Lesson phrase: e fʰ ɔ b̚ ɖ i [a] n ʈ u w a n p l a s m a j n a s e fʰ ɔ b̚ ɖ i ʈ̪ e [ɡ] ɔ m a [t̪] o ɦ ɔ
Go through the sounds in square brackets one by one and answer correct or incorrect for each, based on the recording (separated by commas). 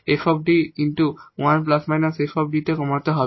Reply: incorrect, incorrect, correct